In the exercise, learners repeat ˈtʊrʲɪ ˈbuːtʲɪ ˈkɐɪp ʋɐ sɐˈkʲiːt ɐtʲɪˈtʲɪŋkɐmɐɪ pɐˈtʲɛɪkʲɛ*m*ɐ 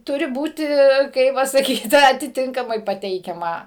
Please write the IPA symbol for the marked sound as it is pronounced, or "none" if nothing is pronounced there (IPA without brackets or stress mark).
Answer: m